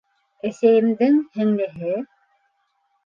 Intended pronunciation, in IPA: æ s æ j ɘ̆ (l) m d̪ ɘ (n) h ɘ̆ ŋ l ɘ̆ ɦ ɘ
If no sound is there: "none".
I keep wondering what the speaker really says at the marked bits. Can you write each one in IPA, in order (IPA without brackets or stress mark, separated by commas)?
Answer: none, ŋ